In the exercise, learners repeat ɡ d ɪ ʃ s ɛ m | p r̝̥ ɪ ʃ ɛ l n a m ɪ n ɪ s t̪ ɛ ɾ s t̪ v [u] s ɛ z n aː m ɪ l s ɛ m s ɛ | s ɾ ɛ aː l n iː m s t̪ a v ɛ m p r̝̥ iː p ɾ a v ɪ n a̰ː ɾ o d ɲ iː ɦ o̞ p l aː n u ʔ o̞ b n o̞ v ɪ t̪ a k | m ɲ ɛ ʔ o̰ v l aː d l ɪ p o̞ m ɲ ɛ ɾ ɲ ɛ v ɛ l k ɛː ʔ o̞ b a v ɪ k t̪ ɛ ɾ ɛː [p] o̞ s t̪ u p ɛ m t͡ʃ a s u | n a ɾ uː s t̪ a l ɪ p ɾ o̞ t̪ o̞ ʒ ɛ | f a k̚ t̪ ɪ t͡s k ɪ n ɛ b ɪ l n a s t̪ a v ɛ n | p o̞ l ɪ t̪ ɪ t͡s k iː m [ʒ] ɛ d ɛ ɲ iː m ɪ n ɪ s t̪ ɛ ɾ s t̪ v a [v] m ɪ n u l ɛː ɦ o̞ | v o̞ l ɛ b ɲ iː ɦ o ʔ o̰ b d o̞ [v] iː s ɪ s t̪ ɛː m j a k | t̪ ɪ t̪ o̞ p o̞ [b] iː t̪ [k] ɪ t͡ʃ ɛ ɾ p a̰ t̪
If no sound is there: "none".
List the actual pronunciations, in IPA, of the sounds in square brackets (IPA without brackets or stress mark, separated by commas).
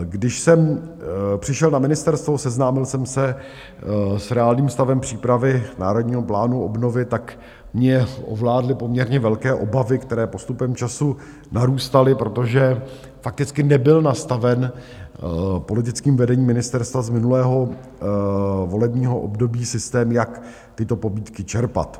o, p, v, z, b, b, k